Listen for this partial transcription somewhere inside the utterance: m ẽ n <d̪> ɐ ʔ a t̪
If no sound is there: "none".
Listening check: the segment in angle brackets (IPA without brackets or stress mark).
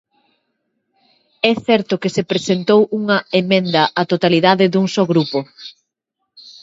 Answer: d̪